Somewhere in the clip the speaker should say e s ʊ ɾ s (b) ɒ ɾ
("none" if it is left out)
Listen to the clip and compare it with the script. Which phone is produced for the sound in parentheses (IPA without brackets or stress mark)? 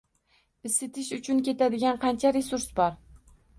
b